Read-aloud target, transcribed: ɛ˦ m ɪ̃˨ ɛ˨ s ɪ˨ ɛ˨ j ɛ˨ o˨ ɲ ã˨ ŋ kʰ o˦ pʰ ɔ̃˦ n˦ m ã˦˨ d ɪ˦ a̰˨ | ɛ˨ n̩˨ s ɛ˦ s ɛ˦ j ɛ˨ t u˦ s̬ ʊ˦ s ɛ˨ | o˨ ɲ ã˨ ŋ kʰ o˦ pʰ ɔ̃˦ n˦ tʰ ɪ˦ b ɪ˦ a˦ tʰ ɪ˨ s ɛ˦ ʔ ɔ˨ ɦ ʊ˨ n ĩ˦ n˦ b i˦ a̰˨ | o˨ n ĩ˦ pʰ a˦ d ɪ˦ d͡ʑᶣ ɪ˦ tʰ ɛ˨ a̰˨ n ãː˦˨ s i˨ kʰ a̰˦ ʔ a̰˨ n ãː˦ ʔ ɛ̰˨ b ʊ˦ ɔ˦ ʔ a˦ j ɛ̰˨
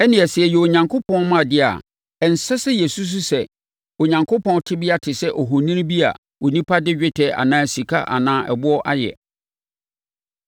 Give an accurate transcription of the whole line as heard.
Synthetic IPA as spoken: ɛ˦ n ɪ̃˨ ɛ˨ s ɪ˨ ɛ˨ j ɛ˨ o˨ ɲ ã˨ ŋ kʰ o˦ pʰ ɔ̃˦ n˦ m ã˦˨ d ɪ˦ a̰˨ | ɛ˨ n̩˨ s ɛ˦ s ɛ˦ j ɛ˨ s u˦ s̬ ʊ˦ s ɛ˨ | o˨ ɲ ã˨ ŋ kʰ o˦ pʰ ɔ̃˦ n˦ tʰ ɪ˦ b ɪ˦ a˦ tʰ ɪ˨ s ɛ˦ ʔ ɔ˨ ɦ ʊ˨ n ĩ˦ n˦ b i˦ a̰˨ | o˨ n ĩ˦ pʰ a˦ d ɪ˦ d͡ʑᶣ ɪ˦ tʰ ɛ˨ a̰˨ n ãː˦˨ s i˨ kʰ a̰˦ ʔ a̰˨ n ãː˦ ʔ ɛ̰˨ b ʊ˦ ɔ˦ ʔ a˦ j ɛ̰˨

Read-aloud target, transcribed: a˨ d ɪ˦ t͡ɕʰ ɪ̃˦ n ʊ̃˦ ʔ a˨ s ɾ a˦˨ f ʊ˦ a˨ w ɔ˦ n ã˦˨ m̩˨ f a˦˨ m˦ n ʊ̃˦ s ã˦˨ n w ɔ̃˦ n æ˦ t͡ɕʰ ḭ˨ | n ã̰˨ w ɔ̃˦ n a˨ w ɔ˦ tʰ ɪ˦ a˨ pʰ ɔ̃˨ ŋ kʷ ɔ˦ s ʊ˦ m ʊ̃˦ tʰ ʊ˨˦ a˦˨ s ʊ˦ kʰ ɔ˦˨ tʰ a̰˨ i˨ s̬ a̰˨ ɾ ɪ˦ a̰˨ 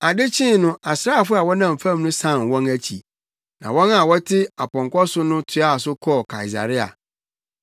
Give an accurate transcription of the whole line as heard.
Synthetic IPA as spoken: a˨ d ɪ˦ t͡ɕʰ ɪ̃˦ n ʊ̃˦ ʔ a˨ s ɾ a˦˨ f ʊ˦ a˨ w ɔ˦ n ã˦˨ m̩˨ f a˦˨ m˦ n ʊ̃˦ s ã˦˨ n w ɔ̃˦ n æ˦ t͡ɕʰ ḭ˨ | n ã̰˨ w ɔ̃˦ n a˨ w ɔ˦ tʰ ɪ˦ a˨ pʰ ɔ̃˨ ŋ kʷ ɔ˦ s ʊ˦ n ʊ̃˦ tʰ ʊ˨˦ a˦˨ s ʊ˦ kʰ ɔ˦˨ kʰ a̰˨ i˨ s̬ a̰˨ ɾ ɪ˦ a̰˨

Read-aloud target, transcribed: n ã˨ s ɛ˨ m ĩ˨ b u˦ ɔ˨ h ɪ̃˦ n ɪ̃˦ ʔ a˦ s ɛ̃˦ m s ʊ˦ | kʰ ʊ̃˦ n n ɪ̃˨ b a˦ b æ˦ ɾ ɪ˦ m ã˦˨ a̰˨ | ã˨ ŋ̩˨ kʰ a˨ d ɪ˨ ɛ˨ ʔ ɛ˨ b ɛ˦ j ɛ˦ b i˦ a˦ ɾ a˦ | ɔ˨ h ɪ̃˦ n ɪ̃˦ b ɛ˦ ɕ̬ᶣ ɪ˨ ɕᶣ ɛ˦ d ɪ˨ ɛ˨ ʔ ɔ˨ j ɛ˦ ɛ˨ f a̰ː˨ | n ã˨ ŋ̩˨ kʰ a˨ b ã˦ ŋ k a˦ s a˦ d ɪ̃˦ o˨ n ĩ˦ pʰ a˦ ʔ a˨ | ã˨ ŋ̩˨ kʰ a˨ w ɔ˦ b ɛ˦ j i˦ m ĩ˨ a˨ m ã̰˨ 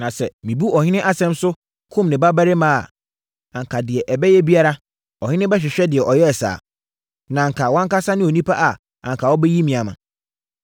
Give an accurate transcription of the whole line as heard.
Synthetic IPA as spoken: n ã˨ s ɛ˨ m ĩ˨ b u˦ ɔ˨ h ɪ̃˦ n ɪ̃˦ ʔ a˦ s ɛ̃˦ m s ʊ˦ | kʰ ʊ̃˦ m n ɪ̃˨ b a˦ b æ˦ ɾ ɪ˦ m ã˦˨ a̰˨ | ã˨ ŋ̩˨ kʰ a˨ d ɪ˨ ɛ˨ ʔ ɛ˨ b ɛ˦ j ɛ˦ b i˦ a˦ ɾ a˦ | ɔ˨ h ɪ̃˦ n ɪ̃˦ b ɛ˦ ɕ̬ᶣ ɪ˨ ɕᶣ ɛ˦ d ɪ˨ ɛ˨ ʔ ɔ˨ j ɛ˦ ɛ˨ s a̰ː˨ | n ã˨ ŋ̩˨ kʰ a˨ w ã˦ ŋ k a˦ s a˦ n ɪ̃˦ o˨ n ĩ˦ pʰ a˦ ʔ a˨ | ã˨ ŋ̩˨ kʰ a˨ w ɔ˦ b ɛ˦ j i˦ m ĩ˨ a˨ m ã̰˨

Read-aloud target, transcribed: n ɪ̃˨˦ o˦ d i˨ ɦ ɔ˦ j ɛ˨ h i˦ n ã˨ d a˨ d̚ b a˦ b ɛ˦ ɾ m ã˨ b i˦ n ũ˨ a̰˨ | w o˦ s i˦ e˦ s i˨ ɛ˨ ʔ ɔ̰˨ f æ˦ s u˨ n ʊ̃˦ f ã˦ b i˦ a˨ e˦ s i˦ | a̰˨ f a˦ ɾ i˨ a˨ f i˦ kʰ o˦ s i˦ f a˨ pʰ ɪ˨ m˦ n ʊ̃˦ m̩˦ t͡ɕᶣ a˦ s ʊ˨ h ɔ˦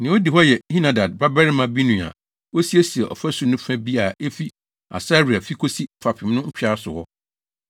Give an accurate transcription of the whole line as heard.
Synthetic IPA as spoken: n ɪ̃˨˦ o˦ d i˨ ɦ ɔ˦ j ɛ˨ h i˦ n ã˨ d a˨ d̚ b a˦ b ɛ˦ ɾ m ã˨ b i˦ n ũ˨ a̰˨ | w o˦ s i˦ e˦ s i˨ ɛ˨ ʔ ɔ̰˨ f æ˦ s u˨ n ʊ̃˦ f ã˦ b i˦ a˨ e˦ f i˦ | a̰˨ s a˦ ɾ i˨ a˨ f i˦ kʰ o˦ s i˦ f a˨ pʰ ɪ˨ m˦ n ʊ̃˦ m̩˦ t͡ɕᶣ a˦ s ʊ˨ h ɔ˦

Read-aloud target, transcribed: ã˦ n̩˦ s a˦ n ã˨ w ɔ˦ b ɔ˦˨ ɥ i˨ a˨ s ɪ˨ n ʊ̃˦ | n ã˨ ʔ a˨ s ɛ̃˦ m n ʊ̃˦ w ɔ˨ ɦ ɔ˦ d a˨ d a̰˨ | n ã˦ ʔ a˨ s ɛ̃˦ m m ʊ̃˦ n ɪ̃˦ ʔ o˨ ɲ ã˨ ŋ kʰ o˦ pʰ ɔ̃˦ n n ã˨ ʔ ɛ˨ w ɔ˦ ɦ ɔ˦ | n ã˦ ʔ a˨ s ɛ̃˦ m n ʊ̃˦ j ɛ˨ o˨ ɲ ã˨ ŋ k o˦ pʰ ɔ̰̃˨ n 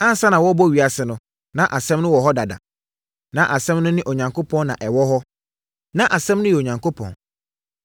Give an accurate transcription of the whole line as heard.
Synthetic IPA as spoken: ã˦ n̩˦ s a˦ n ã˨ w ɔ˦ b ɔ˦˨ ɥ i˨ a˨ s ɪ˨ n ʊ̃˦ | n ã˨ ʔ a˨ s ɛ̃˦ m n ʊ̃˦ w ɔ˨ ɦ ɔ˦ d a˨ d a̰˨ | n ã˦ ʔ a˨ s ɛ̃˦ m n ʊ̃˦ n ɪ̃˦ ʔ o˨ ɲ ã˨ ŋ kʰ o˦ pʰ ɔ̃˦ n n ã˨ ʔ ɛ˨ w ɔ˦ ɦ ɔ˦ | n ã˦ ʔ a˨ s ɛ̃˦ m n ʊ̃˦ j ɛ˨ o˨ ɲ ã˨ ŋ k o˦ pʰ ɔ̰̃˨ n

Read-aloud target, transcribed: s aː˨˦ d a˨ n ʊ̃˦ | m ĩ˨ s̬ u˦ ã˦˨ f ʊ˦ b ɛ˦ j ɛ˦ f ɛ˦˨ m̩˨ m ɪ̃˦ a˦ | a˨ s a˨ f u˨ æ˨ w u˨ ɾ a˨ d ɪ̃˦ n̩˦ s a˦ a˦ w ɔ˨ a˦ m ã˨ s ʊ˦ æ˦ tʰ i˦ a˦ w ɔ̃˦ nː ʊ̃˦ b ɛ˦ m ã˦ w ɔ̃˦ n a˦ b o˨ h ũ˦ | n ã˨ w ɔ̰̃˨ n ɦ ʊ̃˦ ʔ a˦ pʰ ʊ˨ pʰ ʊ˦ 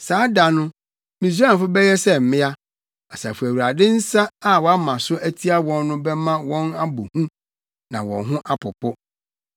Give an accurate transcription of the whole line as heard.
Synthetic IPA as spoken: s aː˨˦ d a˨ n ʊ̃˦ | m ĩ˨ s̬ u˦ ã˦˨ f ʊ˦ b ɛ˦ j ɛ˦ s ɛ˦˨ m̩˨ m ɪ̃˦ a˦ | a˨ s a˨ f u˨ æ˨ w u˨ ɾ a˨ d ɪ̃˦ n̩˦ s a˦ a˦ w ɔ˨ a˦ m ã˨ s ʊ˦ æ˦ tʰ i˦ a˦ w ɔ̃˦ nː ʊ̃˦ b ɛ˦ m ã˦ w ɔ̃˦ n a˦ b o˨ h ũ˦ | n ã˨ w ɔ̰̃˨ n ɦ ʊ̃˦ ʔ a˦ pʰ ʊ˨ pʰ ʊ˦

